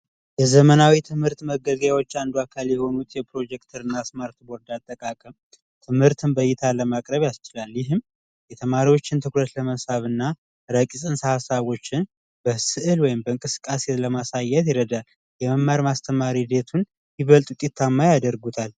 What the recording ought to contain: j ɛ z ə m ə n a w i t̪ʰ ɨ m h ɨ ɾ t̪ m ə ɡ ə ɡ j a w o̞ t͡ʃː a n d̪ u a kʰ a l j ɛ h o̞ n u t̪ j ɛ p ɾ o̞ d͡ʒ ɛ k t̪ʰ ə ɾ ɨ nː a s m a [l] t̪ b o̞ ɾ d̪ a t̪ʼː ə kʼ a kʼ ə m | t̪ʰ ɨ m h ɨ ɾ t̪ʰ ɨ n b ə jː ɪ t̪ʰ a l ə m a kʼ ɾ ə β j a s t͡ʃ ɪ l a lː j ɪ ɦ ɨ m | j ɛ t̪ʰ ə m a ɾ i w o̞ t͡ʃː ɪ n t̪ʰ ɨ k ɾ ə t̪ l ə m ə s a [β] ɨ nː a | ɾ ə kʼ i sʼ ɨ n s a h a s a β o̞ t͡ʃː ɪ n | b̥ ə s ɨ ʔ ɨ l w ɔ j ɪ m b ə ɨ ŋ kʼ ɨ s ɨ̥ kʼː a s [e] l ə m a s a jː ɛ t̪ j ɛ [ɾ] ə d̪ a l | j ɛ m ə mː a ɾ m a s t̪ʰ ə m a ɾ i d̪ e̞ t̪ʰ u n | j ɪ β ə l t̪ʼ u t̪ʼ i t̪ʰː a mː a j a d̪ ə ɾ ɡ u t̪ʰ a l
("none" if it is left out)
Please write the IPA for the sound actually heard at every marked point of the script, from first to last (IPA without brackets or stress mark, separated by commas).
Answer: ɾ, β, e, ɾ